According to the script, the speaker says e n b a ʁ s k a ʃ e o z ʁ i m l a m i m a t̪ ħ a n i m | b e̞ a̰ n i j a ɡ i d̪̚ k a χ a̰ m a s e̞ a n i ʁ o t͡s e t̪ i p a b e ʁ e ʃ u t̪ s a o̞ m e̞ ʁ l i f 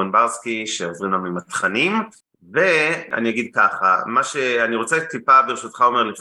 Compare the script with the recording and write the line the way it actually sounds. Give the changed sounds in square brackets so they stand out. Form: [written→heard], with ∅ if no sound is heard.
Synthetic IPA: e n b a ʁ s k [a→i] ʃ e o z ʁ i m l a m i m a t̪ [ħ→χ] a n i m | [b→v] e̞ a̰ n i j a ɡ i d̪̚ k a χ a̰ m a [s→ʃ] e̞ a n i ʁ o t͡s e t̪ i p a b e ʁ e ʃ u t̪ [s→χ] a o̞ m e̞ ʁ l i f